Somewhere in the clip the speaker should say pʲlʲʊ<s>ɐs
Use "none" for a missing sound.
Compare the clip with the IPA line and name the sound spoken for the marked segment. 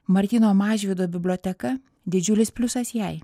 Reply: s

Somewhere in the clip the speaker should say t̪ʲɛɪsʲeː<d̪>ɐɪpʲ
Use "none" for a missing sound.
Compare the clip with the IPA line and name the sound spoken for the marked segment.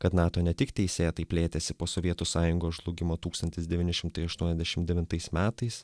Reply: t̪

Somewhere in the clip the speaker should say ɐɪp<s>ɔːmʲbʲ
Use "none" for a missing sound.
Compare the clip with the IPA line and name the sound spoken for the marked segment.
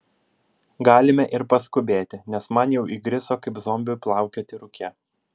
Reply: z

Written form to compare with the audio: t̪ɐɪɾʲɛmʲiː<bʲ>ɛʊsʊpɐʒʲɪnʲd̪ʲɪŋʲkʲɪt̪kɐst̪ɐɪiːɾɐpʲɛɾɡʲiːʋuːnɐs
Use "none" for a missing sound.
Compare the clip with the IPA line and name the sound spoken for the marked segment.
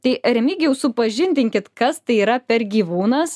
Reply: ɡʲ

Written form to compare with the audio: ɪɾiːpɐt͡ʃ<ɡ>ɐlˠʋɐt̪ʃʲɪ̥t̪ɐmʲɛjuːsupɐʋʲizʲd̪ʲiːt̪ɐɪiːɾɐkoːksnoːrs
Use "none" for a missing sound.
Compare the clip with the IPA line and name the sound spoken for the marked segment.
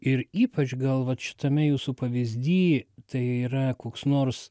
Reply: ɡ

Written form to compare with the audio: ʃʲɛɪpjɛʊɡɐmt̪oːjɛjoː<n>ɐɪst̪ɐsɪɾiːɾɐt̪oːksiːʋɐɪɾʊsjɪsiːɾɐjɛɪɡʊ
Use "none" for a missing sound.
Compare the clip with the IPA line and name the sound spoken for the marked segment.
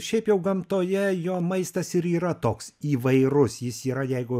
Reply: m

